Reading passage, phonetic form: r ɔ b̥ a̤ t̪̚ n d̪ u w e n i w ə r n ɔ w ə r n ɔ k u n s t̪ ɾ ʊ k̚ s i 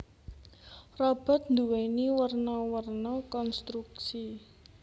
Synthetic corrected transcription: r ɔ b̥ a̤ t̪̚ n d̪ u w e n i w ə r n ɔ w ə r n ɔ k ɔ n s t̪ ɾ u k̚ s i

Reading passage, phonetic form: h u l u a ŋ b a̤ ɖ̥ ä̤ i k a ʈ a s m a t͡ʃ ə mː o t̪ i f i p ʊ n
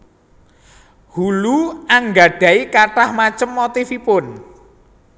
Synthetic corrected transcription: h u l u a ŋ ɡ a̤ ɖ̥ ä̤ i k a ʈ a h m a t͡ʃ ə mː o t̪ i f i p ʊ n

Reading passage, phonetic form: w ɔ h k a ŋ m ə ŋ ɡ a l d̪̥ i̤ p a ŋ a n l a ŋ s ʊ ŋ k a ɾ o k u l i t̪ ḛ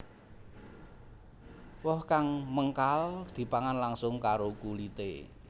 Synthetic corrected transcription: w ɔ h k a ŋ m ə ŋ k a l d̪̥ i̤ p a ŋ a n l a ŋ s ʊ ŋ k a ɾ o k u l i t̪ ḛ

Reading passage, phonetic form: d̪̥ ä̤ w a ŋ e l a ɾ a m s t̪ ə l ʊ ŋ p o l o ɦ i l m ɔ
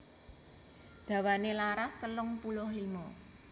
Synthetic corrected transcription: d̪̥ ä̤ w a n e l a ɾ a s t̪ ə l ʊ ŋ p u l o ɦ i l m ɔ

